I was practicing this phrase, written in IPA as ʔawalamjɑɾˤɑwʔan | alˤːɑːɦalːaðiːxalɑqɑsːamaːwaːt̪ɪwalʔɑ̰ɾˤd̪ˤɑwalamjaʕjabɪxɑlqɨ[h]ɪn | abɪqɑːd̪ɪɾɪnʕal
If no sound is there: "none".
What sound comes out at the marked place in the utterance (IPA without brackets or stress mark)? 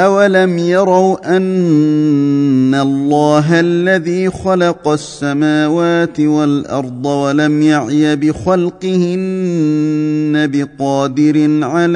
h